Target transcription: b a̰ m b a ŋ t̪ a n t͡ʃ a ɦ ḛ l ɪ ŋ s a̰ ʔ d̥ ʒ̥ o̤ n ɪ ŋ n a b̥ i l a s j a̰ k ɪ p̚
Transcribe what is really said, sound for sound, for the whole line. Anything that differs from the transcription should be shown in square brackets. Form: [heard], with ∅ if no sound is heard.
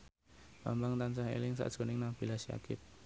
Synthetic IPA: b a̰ m b a ŋ t̪ a n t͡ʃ a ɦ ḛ l ɪ ŋ s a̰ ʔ d̥ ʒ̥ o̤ n ɪ ŋ n a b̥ i l a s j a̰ k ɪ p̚